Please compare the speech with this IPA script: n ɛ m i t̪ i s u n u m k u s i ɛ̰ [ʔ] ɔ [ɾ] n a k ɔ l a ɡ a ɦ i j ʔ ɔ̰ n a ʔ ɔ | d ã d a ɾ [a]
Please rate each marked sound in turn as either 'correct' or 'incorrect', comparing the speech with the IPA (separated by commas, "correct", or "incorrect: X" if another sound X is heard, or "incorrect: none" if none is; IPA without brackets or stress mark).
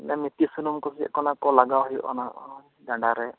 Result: incorrect: k, incorrect: none, incorrect: ɛ